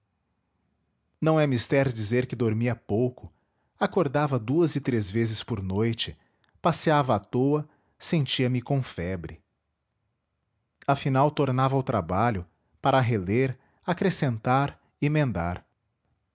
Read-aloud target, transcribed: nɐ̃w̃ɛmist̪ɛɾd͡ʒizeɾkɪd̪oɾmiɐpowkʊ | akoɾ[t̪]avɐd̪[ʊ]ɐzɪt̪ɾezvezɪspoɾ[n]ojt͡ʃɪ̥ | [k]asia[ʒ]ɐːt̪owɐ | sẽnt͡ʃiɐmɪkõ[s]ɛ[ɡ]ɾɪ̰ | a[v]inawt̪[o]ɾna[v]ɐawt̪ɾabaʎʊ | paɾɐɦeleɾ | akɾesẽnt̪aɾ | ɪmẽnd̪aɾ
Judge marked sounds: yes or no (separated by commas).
no, no, yes, no, no, no, no, no, yes, yes